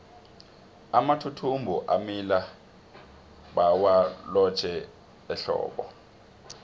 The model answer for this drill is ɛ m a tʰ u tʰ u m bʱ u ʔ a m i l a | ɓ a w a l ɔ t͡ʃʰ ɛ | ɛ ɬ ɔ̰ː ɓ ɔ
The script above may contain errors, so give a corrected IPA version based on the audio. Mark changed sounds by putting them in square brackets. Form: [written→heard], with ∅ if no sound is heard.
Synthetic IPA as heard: [ɛ→a] m a tʰ u tʰ u m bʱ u ʔ a m i l a | ɓ a w a l ɔ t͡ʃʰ ɛ | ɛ ɬ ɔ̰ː ɓ ɔ